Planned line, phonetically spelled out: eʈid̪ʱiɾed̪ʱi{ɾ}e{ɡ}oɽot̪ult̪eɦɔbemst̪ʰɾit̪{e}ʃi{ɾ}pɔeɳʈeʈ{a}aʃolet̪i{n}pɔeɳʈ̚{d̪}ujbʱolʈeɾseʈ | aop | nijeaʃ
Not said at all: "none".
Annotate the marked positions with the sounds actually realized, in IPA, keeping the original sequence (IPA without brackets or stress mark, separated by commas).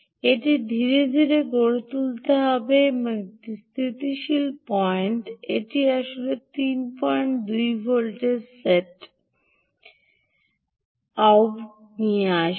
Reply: ɾ, ɡ, i, l, i, n, d̪